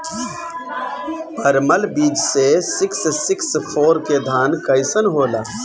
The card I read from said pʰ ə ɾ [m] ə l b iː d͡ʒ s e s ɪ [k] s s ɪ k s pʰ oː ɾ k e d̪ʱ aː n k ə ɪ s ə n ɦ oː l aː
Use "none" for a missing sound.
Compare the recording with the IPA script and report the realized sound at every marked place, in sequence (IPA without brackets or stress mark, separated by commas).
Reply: m, k